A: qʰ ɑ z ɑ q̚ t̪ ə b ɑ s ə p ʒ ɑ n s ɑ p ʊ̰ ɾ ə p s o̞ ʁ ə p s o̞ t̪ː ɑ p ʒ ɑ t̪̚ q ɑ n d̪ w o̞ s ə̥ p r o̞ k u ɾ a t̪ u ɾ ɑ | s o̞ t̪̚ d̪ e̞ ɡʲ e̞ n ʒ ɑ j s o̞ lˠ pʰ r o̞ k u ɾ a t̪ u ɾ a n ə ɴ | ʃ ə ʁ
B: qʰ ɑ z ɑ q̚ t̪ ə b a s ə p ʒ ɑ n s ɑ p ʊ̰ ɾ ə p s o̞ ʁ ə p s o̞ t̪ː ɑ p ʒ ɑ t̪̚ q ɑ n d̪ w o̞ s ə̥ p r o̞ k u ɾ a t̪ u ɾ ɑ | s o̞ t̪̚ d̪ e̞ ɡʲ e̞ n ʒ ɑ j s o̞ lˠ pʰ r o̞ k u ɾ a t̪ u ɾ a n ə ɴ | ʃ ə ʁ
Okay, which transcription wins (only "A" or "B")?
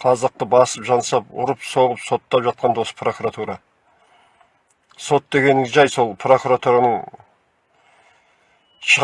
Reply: A